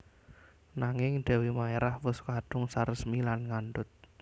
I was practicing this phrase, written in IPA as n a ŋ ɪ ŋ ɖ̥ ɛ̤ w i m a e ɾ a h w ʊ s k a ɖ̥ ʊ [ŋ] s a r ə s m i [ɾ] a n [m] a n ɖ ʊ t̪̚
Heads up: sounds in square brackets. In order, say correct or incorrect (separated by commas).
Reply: correct, incorrect, incorrect